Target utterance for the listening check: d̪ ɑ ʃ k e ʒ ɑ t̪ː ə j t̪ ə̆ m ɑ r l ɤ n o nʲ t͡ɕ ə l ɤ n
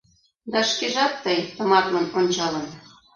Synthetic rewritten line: d̪ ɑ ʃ k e ʒ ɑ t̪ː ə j t̪ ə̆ m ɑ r l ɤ n o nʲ t͡ɕ ɑ l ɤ n